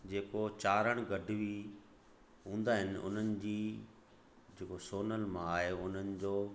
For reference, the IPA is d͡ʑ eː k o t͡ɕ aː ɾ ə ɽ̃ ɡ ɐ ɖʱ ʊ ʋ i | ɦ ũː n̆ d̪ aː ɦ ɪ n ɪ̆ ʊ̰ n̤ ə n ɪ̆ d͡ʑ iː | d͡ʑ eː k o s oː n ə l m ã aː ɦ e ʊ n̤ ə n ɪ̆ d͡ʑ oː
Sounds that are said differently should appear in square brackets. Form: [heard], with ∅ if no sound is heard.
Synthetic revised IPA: d͡ʑ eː k o t͡ɕ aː ɾ ə ɽ̃ ɡ ɐ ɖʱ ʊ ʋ i | ɦ ũː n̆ d̪ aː ɦ ɪ n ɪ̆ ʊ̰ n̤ ə n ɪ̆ d͡ʑ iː | d͡ʑ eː k o s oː n ə l m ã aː ɦ e ʊ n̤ ə n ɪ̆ d͡ʑ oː